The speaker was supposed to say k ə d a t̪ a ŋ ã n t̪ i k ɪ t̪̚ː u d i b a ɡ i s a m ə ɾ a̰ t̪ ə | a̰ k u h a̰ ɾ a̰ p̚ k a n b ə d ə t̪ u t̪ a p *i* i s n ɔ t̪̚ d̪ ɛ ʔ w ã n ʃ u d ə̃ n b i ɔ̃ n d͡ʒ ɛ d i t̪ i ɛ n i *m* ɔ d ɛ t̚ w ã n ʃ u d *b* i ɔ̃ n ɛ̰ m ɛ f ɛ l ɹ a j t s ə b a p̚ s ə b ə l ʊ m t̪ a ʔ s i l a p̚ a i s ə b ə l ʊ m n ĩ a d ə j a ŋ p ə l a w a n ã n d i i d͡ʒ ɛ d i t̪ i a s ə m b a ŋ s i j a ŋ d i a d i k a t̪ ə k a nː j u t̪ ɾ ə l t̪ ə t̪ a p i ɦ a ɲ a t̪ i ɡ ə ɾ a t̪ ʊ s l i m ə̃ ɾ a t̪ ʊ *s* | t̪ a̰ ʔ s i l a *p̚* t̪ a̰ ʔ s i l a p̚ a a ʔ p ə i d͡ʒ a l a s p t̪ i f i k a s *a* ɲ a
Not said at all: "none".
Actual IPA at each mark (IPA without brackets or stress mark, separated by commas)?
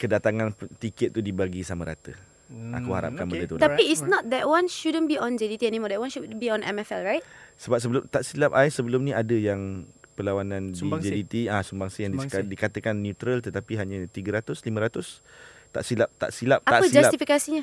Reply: i, m, b, s, p̚, i